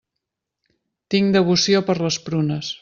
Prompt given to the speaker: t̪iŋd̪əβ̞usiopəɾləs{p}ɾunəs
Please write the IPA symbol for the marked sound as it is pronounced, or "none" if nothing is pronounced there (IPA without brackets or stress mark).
p